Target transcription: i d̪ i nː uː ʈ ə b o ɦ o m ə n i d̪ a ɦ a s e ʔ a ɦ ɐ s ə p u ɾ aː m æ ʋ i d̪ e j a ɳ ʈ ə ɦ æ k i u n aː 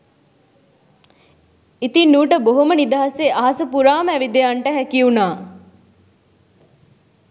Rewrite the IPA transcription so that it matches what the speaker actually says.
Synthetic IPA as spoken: i t̪ i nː uː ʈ ə b o ɦ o m ə n i d̪ a ɦ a s e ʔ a ɦ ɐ s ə p u ɾ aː m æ ʋ i d̪ e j a ɳ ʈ ə ɦ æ k i u n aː